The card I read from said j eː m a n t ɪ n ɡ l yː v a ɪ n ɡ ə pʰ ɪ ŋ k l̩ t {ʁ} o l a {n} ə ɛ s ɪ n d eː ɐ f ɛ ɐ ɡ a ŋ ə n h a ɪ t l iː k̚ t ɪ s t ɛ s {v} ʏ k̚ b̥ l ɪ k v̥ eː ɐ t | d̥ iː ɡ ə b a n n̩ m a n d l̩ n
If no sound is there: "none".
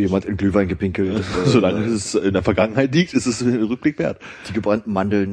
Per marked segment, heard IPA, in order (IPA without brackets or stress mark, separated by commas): z, ŋ, ʁ